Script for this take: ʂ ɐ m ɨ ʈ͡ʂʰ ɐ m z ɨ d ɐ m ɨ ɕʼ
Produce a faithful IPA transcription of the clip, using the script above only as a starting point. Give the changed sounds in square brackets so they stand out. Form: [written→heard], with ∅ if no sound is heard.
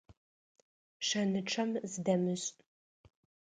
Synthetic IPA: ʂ ɐ [m→n] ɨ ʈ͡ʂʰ ɐ m z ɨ d ɐ m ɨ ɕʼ